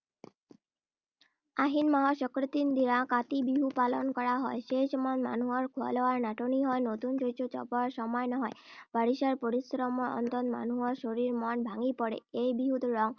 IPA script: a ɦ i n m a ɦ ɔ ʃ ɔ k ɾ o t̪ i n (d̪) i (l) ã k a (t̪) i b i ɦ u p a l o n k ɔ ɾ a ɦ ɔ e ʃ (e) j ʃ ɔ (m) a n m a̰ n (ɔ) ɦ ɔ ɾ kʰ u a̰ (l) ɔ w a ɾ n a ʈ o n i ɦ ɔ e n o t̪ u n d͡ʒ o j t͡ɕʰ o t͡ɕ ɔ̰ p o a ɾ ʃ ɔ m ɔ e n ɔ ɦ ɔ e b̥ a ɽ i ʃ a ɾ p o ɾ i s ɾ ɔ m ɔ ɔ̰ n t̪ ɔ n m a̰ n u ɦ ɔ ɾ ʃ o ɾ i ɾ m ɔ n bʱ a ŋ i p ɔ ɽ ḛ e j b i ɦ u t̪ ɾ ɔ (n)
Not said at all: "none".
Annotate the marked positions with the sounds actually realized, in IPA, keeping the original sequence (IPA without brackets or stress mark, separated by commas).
d̪, ɾ, t̪, e, m, u, l, ŋ